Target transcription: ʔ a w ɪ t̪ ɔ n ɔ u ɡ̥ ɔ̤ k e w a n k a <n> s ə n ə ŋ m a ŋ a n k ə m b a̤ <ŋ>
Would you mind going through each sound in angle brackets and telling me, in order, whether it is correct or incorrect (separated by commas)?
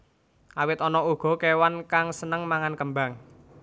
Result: incorrect, correct